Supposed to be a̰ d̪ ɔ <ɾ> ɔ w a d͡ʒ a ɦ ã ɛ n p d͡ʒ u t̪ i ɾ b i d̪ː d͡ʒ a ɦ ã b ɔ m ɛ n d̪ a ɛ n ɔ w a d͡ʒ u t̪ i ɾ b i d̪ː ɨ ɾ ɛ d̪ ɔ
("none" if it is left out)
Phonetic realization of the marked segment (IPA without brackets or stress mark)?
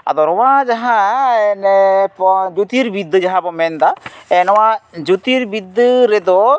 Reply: ɾ